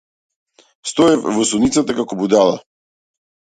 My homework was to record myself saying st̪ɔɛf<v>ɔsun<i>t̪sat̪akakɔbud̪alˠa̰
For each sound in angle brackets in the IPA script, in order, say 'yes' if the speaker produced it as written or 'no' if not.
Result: yes, yes

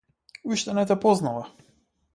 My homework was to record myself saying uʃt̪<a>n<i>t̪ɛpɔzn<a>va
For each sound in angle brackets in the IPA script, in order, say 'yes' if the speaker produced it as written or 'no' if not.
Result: no, no, yes

